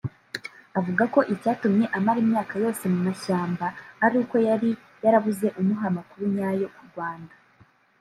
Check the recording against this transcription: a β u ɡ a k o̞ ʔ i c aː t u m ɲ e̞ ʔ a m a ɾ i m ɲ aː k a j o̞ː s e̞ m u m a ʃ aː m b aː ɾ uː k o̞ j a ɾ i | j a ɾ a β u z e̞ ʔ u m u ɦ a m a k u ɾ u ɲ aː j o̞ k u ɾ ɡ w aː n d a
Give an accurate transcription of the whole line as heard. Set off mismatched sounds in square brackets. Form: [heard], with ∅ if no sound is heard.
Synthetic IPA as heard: a [v] u ɡ a k o̞ ʔ i c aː t u m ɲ e̞ ʔ a m a ɾ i m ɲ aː k a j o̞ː s e̞ m u m a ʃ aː m b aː ɾ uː k o̞ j a ɾ i | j a ɾ a β u z e̞ ʔ u m u ɦ a m a k u ɾ u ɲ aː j o̞ k u ɾ ɡ w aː n d a